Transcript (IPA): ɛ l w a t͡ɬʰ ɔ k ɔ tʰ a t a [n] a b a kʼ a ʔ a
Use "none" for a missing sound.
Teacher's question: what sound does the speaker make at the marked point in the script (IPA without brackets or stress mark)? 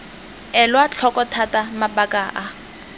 m